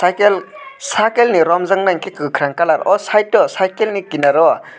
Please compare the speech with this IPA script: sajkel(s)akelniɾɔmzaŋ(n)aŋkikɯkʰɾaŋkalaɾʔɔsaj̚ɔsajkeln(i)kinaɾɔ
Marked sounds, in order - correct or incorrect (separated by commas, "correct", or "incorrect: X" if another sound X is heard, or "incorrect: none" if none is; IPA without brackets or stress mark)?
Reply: correct, correct, correct